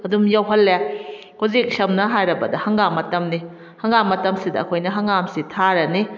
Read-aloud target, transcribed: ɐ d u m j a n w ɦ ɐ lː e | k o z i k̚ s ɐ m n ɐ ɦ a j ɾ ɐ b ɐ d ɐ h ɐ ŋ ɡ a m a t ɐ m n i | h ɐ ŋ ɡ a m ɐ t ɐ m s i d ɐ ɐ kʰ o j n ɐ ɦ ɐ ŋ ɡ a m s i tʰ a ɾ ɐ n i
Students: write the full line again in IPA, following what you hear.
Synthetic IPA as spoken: ɐ d u m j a w ɦ ɐ lː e | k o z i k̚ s ɐ m n ɐ ɦ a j ɾ ɐ b ɐ d ɐ h ɐ ŋ ɡ a m ɐ t ɐ m n i | h ɐ ŋ ɡ a m ɐ t ɐ m s i d ɐ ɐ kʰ o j n ɐ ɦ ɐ ŋ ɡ a m s i tʰ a ɾ ɐ n i